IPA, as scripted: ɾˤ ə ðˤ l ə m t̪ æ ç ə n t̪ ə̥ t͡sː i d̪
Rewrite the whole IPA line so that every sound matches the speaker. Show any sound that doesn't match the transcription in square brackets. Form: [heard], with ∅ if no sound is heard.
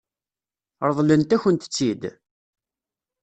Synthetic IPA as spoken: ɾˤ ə ðˤ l ə [n] t̪ æ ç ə n t̪ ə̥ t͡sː i d̪